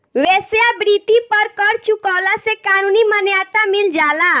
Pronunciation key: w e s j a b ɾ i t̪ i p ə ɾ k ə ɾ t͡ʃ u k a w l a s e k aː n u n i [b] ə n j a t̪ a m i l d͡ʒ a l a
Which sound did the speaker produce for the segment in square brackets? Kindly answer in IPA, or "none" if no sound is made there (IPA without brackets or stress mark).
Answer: m